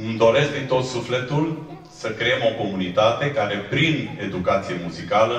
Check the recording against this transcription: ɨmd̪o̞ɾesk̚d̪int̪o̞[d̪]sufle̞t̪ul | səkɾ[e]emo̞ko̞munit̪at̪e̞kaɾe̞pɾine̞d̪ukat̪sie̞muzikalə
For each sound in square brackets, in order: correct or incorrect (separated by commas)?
incorrect, correct